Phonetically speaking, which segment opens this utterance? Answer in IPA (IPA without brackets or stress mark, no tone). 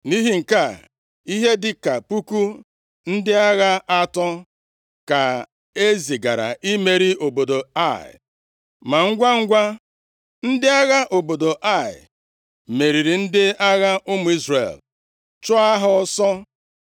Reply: n